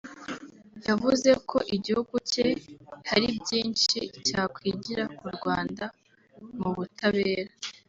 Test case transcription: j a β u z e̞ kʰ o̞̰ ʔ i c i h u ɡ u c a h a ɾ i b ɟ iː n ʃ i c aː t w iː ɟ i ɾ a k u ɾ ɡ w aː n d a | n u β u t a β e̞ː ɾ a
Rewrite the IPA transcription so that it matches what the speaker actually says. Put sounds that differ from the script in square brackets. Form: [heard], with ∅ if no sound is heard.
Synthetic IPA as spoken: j a [v] u z e̞ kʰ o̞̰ ʔ i [ɟ] i h u ɡ u c [e] h a ɾ i b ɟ iː n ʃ i c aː [k] w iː ɟ i ɾ a k u ɾ ɡ w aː n d a | [m] u β u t a β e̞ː ɾ a